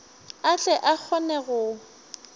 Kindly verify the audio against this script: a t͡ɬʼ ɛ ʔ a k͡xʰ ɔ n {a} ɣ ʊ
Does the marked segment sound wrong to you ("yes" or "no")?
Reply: yes